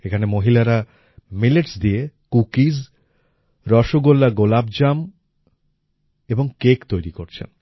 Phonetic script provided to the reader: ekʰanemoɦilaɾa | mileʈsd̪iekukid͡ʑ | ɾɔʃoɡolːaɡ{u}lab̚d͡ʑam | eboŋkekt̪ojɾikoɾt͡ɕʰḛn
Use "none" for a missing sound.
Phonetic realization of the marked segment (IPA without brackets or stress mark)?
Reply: o